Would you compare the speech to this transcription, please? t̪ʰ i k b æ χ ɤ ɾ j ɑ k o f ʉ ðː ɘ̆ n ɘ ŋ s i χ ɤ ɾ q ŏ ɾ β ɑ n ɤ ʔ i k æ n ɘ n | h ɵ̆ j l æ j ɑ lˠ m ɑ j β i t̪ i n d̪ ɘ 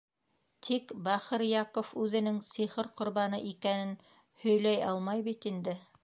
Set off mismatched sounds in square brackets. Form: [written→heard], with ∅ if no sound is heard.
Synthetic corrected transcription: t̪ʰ i k b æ χ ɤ ɾ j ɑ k o f ʉ [ðː→ð] ɘ̆ n ɘ ŋ s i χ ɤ ɾ q ŏ ɾ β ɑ n ɤ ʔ i k æ n ɘ n | h ɵ̆ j l æ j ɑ lˠ m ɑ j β i t̪ i n d̪ ɘ

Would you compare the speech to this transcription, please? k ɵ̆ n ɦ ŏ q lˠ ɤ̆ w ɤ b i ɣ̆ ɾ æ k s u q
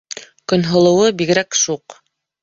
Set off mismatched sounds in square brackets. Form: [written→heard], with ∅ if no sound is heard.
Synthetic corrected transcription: k ɵ̆ n ɦ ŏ [q→∅] lˠ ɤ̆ w ɤ b i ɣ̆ ɾ æ k [s→ʃ] u q

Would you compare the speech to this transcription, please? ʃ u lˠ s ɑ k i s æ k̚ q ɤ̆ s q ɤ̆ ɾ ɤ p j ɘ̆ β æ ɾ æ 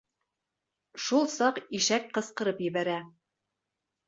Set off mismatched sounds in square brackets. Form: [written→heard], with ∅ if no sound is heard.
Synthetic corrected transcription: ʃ u lˠ s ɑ [k→q] i [s→ʃ] æ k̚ q ɤ̆ s q ɤ̆ ɾ ɤ p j ɘ̆ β æ ɾ æ

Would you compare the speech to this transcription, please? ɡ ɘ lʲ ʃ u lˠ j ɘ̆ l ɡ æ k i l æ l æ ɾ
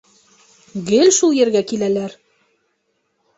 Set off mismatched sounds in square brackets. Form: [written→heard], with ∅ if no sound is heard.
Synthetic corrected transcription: ɡ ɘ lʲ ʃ u lˠ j ɘ̆ [l→ɾ] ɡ æ k i l æ l æ ɾ

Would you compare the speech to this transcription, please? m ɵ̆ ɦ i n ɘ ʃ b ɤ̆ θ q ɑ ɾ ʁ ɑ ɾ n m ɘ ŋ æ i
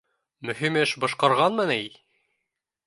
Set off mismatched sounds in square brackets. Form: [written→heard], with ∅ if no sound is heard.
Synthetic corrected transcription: m ɵ̆ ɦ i [n→m] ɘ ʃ b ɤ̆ [θ→ʃ] q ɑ ɾ ʁ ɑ [ɾ→∅] n m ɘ [ŋ→n] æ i

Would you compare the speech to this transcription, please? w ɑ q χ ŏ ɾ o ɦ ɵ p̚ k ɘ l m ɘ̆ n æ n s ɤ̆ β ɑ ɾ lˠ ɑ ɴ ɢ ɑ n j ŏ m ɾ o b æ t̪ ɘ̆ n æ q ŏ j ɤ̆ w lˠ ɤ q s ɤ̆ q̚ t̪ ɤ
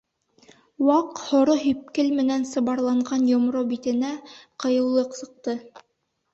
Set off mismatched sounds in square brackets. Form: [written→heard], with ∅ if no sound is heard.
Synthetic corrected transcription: w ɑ q [χ→h] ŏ ɾ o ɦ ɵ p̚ k ɘ l m ɘ̆ n æ n s ɤ̆ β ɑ ɾ lˠ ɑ ɴ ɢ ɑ n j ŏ m ɾ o b [æ→i] t̪ ɘ̆ n æ q [ŏ→ɤ̆] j ɤ̆ w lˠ ɤ q s ɤ̆ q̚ t̪ ɤ

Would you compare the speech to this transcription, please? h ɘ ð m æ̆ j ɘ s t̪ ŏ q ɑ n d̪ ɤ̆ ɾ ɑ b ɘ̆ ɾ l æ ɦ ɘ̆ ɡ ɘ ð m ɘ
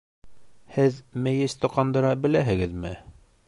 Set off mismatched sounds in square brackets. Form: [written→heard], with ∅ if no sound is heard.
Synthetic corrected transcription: h ɘ ð m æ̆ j ɘ s t̪ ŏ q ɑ n d̪ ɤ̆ ɾ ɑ b ɘ̆ [ɾ→∅] l æ ɦ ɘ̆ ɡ ɘ ð m ɘ

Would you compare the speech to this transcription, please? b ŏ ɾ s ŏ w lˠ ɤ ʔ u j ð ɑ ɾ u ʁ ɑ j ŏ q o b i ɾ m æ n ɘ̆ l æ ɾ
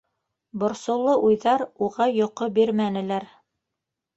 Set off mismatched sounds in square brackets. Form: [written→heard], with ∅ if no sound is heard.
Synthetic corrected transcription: b ŏ ɾ s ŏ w lˠ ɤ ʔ u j ð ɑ ɾ u ʁ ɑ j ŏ q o b i ɾ m æ n ɘ̆ l æ ɾ

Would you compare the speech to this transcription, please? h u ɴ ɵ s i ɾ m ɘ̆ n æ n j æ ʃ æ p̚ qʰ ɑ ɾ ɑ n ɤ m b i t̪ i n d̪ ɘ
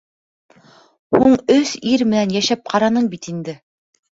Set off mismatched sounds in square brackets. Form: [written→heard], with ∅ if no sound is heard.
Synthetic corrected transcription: h u ɴ ɵ s i ɾ m ɘ̆ n æ n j æ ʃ æ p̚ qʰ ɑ ɾ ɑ n ɤ [m→ɴ] b i t̪ i n d̪ ɘ

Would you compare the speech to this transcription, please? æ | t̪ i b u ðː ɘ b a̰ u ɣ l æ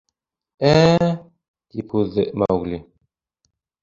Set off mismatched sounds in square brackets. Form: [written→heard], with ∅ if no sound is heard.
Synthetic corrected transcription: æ | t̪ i [b→p] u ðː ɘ [b→m] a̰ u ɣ l [æ→i]

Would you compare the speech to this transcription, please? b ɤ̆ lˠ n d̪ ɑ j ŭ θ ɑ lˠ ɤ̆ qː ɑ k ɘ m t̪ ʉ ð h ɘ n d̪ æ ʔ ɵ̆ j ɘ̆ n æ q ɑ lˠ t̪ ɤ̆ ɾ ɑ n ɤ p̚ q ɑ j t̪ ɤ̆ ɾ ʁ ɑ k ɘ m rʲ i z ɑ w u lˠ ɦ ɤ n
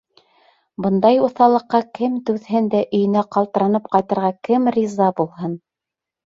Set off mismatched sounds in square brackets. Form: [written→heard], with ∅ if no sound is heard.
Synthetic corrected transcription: b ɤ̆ [lˠ→∅] n d̪ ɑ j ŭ θ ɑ lˠ ɤ̆ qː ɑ k ɘ m t̪ ʉ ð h ɘ n d̪ æ ʔ ɵ̆ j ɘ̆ n æ q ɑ lˠ t̪ ɤ̆ ɾ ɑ n ɤ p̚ q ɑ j t̪ ɤ̆ ɾ ʁ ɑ k ɘ m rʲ i z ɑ [w→b] u lˠ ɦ ɤ n

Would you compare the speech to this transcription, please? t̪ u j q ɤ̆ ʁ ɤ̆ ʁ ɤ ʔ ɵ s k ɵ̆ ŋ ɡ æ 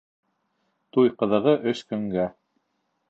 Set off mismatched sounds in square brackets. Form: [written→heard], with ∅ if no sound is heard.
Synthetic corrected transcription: t̪ u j q ɤ̆ [ʁ→ð] ɤ̆ ʁ ɤ ʔ ɵ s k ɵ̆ ŋ ɡ æ

